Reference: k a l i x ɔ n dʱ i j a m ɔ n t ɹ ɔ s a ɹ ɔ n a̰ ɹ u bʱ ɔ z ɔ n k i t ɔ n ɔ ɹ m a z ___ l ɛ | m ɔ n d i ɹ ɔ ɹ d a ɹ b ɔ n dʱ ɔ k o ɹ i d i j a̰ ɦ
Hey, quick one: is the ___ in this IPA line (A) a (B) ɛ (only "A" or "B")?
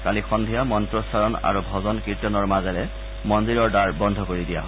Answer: B